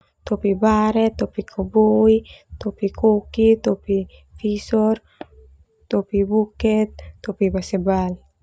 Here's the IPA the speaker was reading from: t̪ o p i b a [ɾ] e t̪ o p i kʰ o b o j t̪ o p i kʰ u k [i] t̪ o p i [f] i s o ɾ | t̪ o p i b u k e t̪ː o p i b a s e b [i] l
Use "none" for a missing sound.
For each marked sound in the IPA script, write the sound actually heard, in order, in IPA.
ɾ, i, f, a

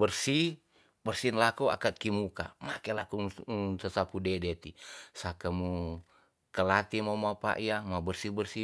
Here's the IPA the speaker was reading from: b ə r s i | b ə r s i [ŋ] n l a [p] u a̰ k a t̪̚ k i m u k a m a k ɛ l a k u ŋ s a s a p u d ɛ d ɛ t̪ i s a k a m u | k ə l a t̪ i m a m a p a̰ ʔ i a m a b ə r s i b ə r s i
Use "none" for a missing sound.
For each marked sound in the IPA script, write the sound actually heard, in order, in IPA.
none, k

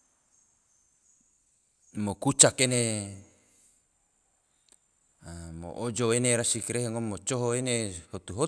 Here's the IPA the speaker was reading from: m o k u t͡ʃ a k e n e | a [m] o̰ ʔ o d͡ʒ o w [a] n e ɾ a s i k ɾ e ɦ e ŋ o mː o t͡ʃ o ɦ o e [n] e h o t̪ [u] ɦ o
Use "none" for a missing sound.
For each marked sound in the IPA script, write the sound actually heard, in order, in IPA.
m, e, n, u

